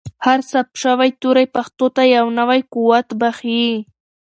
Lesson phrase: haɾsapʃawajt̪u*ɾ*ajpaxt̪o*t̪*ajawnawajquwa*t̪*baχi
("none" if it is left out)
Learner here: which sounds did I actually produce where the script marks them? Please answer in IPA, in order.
ɾ, t̪, t̪

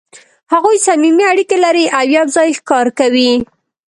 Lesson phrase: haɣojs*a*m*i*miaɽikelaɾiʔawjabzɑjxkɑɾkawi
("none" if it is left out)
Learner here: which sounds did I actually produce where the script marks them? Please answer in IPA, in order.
a, i

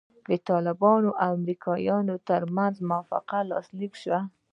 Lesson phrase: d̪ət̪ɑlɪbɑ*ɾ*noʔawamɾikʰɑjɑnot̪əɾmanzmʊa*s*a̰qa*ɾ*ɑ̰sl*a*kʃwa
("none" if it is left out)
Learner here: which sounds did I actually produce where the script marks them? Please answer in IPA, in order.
none, f, l, i

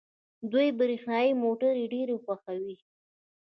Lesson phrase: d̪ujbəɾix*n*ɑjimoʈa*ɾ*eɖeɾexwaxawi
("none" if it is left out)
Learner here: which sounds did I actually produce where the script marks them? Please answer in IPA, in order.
n, ɾ

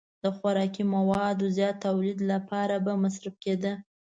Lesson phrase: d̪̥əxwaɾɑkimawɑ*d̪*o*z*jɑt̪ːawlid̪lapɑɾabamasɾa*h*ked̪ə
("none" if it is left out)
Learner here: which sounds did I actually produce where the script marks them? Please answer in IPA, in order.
d̪, z, f

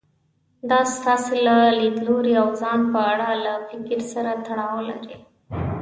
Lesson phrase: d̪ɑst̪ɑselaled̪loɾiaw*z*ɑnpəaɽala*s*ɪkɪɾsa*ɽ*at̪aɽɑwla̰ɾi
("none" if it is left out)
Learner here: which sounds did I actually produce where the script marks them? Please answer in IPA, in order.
z, f, ɾ

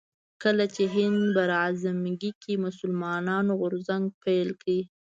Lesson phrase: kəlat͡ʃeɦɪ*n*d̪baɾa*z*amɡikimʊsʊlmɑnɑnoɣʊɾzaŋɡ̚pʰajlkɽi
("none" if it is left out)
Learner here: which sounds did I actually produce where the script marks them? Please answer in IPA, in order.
n, z

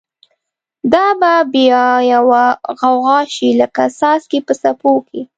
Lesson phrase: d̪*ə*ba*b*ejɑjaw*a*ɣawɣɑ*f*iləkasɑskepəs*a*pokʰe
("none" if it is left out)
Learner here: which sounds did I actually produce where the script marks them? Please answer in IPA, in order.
ɑ, b, a, ʃ, a

